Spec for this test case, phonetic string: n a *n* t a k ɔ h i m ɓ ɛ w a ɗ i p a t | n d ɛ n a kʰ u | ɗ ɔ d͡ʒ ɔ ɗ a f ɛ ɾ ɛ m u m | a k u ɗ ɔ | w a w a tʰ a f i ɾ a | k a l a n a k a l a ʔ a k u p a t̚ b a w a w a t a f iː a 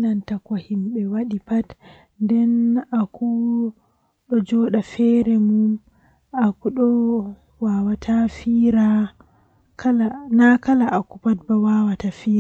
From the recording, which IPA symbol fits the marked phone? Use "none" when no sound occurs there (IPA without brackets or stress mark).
n